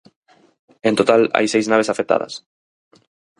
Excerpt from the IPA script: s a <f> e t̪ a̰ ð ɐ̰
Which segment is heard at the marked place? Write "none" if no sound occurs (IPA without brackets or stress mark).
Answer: f